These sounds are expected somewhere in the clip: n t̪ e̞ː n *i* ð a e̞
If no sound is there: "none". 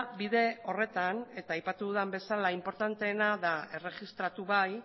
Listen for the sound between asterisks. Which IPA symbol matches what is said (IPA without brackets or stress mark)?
a